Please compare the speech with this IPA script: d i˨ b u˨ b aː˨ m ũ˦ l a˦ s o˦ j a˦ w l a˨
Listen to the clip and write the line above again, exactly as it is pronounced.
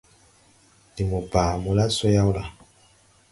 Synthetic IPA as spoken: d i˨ m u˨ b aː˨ m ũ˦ l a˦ s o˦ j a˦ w l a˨